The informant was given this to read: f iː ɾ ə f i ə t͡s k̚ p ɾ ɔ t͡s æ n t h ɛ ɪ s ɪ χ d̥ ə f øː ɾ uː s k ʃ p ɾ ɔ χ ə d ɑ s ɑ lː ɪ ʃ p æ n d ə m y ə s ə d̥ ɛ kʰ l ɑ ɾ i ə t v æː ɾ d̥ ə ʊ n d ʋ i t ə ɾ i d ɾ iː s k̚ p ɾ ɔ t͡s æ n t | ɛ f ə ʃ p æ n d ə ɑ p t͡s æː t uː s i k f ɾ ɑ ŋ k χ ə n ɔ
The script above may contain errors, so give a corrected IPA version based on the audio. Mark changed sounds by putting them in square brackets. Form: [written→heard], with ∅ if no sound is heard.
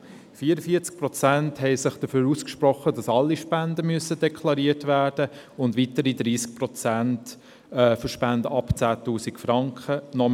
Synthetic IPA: f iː ɾ ə f i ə t͡s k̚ p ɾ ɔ t͡s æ n t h ɛ ɪ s ɪ χ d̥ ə f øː ɾ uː s k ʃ p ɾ ɔ χ ə d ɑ s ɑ lː [ɪ→i] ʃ p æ n d ə m y ə s ə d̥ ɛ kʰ l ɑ ɾ i ə t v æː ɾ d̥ ə ʊ n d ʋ i t ə ɾ i d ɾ iː s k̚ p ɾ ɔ t͡s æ n t | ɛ f ə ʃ p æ n d ə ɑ p t͡s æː t uː s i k f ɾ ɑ ŋ k χ ə n ɔ